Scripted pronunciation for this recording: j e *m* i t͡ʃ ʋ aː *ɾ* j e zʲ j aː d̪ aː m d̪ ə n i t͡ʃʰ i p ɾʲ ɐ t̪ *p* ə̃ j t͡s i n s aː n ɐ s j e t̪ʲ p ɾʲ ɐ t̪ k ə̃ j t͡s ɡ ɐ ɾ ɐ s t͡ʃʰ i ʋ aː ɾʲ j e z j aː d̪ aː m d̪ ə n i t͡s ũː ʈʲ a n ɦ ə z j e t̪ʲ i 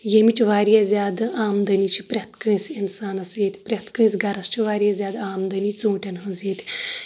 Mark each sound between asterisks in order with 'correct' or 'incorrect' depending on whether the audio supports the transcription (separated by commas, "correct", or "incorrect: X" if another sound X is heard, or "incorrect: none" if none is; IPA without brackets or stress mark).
correct, correct, incorrect: k